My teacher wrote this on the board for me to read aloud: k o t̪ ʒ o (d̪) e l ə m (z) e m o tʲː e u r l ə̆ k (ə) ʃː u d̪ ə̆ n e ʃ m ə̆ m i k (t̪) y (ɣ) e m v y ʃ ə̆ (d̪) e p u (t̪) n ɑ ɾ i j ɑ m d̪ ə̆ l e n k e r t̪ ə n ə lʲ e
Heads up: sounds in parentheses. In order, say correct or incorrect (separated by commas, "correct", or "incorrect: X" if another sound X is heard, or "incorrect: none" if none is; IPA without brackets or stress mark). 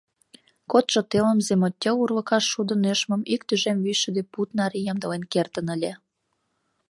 incorrect: t̪, correct, incorrect: ɑ, correct, incorrect: ʒ, correct, correct